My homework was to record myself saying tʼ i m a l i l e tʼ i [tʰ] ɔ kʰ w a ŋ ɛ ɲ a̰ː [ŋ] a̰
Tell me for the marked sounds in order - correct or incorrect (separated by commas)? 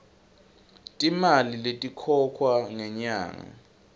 incorrect, correct